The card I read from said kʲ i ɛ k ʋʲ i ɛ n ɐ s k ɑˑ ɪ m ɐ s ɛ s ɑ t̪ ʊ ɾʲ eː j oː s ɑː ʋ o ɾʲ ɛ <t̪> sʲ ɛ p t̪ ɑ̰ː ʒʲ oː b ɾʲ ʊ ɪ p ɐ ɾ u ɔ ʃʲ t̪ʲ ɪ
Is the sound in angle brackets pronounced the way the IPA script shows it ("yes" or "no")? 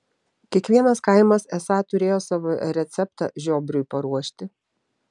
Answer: yes